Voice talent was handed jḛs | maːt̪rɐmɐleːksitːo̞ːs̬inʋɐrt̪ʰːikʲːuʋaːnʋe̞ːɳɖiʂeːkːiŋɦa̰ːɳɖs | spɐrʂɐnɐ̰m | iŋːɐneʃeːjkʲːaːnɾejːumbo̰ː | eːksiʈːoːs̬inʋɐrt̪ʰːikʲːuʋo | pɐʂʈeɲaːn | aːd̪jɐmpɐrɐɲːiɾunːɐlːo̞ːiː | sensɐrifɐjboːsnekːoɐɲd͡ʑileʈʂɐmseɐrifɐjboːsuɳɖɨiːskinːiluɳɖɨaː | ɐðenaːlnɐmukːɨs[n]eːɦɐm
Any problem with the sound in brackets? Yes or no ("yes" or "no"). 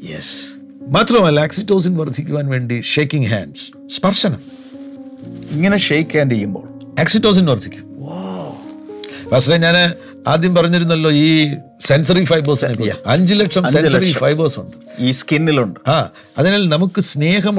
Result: no